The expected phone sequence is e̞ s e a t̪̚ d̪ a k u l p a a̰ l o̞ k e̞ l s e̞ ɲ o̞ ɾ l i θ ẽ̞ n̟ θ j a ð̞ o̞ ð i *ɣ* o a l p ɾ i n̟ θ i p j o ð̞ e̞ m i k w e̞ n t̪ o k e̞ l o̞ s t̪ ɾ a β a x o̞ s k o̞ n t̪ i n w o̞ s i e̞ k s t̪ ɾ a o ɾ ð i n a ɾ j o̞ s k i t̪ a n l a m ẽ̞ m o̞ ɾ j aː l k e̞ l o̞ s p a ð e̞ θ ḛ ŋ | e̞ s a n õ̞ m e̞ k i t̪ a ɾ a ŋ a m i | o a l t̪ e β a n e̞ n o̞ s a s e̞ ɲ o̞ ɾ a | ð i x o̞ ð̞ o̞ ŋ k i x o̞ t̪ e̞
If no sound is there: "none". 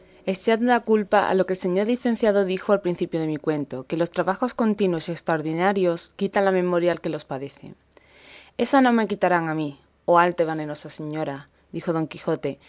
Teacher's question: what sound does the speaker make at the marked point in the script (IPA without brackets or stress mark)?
x